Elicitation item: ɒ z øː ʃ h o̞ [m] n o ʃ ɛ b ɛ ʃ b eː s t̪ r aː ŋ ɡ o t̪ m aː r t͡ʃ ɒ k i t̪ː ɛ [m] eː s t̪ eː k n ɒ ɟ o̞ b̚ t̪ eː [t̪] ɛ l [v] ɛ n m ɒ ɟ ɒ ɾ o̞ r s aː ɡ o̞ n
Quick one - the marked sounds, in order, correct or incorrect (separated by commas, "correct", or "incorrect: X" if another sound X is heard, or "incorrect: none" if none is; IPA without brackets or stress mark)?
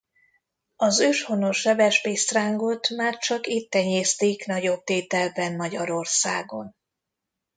incorrect: none, incorrect: ɲ, correct, incorrect: b